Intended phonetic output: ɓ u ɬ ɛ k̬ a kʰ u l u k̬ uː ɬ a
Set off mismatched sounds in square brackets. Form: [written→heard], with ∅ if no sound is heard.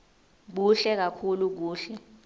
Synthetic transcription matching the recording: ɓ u ɬ ɛ k̬ a kʰ u l u k̬ uː ɬ [a→ɛ]